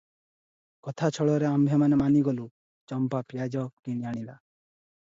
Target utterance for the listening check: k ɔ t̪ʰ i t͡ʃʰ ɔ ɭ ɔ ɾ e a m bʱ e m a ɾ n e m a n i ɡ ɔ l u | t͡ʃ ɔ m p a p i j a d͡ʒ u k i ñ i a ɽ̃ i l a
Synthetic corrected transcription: k ɔ t̪ʰ a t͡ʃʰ ɔ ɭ ɔ ɾ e a m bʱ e m a n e m a n i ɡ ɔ l u | t͡ʃ ɔ m p a p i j a d͡ʒ ɔ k i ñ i a ɽ̃ i l a